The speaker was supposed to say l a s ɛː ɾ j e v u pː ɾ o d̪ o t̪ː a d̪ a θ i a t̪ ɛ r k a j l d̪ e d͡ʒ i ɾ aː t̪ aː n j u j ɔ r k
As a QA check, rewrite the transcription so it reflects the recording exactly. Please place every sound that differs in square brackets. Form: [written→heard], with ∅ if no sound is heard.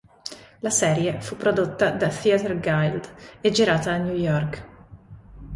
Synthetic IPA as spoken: l a s ɛː ɾ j e [v→f] u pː ɾ o d̪ o t̪ː a d̪ a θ i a t̪ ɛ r [k→ɡ] a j l d̪ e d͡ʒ i ɾ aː t̪ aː n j u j ɔ r k